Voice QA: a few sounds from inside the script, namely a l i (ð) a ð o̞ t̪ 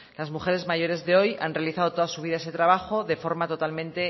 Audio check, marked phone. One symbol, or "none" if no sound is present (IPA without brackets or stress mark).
θ